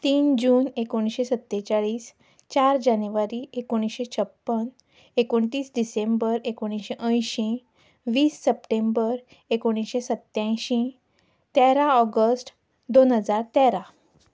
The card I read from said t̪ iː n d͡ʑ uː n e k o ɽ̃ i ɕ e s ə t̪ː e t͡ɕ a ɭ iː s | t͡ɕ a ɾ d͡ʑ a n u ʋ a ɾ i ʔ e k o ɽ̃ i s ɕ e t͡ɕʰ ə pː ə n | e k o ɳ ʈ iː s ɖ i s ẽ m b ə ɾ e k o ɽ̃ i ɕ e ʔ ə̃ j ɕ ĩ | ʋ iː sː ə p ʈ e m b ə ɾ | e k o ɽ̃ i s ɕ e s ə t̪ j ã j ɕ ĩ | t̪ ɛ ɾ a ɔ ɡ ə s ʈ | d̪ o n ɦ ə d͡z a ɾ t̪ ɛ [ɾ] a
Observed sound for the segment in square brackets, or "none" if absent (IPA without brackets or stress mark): ɾ